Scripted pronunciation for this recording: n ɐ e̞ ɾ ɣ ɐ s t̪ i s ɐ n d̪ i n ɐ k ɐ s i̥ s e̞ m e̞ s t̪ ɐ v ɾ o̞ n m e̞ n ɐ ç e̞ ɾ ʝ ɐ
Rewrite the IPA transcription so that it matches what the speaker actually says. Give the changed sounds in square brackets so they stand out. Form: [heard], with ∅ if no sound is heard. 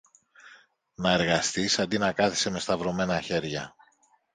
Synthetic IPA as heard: n ɐ e̞ ɾ ɣ ɐ s t̪ i s ɐ n d̪ i n ɐ k ɐ [θ] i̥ s e̞ m e̞ s t̪ ɐ v ɾ o̞ [∅] m e̞ n ɐ ç e̞ ɾ ʝ ɐ